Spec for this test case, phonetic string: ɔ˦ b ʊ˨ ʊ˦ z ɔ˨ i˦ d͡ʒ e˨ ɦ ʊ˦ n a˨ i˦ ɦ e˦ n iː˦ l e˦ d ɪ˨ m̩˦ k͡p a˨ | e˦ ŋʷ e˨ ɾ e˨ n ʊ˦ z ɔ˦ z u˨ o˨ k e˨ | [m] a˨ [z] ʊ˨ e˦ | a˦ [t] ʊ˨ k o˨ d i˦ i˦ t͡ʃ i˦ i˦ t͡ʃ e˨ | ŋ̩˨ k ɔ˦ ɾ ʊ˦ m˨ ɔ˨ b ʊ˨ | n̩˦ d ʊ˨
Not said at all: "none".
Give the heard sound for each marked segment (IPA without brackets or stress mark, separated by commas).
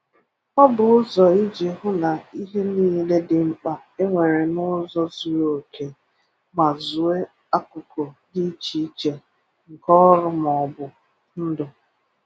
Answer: m, z, k